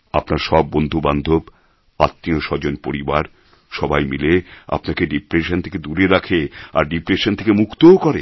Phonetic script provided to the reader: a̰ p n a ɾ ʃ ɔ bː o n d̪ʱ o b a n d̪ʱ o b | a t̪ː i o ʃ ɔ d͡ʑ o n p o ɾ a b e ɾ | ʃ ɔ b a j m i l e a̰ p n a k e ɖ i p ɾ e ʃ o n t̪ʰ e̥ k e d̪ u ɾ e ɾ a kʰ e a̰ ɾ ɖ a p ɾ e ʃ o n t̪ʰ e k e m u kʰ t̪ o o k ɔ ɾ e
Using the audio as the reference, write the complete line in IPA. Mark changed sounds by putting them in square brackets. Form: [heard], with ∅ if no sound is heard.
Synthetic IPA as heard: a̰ p n a ɾ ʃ ɔ bː o n d̪ʱ [u] b a n d̪ʱ o b | a t̪ː i o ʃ ɔ d͡ʑ o n p o ɾ [i] b [a] ɾ | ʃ ɔ b a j m i l e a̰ p n a k e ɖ i p ɾ e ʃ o n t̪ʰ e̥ k e d̪ u ɾ e ɾ a kʰ e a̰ ɾ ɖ [i] p ɾ e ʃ o n t̪ʰ e k e m u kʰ t̪ o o k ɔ ɾ e